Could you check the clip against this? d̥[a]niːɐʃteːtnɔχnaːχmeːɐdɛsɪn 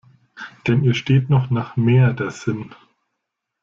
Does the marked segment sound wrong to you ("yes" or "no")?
yes